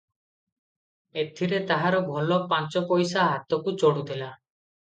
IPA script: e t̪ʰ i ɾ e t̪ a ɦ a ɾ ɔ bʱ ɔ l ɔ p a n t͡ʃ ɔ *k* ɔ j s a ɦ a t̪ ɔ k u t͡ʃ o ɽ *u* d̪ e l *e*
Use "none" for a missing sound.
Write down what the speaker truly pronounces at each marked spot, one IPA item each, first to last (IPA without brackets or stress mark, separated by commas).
p, u, a